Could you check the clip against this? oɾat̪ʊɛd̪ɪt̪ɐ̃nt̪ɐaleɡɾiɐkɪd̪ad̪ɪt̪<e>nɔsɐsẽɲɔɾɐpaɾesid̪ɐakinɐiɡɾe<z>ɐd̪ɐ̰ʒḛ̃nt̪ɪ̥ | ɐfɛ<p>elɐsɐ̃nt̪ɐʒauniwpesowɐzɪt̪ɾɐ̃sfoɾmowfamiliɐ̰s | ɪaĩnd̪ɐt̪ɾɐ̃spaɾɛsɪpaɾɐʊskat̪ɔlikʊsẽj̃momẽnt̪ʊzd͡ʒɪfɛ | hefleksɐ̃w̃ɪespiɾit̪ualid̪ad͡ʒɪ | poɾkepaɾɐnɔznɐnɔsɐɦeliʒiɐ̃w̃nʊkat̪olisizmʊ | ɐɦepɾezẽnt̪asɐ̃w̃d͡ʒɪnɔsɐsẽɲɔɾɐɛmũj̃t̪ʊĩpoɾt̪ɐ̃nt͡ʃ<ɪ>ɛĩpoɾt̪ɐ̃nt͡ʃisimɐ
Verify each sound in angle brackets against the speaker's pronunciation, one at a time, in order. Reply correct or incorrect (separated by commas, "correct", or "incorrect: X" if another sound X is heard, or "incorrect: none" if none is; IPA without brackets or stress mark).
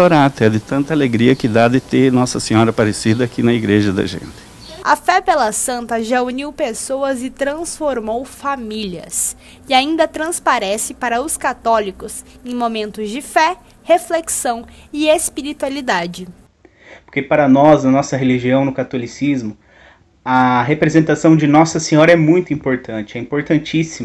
correct, incorrect: ʒ, correct, correct